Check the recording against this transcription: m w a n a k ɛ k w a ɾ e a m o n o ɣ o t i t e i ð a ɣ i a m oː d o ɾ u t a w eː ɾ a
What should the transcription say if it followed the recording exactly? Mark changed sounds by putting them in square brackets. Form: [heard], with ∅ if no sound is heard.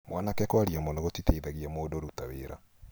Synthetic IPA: m w a n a k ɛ k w a ɾ [i] a m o n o ɣ o t i t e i ð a ɣ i a m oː d o ɾ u t a w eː ɾ a